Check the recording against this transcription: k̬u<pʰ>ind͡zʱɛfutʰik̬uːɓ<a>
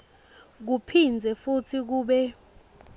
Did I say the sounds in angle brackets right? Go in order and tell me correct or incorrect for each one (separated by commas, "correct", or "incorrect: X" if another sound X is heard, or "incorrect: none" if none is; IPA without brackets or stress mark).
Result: correct, incorrect: ɛ